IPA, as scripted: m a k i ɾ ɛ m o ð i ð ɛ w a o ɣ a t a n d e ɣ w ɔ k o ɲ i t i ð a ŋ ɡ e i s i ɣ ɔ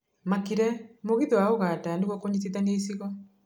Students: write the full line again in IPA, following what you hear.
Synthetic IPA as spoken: m a k i ɾ ɛ m o ɣ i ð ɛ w a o ɣ a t a n d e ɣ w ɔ k o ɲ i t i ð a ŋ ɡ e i s i ɣ ɔ